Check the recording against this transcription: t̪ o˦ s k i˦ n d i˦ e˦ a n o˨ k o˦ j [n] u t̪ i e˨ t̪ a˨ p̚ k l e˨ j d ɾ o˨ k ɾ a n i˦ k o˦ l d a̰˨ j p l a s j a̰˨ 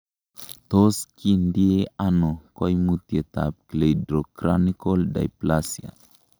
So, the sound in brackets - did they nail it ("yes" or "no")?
no